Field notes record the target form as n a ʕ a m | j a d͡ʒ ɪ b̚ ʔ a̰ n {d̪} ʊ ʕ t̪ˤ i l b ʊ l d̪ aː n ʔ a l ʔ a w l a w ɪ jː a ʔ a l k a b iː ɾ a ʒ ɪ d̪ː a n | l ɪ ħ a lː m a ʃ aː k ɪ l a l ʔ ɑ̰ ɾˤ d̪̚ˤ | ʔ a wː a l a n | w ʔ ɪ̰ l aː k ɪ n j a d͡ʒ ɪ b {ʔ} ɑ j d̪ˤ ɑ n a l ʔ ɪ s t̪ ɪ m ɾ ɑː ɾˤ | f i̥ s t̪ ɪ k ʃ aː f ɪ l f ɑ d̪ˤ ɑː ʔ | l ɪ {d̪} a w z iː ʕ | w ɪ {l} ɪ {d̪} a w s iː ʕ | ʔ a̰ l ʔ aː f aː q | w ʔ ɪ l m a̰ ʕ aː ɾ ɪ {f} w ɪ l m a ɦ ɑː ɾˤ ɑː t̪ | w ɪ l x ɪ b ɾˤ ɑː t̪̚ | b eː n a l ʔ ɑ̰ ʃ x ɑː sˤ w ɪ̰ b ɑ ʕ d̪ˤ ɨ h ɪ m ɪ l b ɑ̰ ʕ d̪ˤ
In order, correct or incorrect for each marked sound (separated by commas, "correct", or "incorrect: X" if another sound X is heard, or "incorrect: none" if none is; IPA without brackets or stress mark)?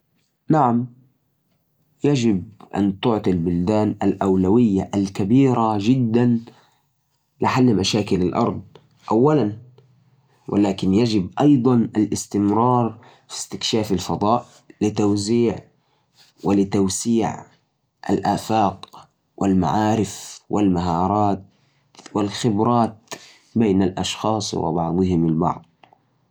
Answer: incorrect: t̪, correct, incorrect: t̪, correct, incorrect: t̪, correct